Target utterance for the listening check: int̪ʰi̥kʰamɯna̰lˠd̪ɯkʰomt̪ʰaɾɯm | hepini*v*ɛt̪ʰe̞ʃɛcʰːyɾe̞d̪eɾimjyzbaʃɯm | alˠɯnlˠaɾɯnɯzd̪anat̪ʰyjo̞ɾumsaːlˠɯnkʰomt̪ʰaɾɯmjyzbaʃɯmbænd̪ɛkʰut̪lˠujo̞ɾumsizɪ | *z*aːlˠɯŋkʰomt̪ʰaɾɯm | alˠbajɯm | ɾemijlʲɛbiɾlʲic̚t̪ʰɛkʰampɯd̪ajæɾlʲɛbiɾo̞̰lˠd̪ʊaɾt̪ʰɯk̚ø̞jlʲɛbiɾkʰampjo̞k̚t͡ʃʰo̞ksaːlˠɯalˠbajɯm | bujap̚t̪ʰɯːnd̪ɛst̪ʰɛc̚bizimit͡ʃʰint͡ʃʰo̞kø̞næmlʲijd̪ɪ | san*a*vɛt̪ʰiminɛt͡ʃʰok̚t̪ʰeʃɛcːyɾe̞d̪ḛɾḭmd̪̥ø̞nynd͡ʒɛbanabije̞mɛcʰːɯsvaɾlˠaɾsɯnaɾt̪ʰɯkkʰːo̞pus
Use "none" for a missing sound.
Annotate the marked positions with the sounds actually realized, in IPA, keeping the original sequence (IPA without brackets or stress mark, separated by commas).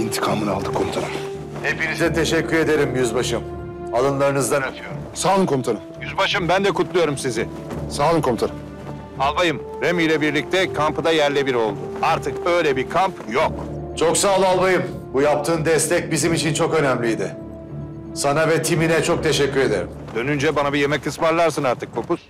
z, s, a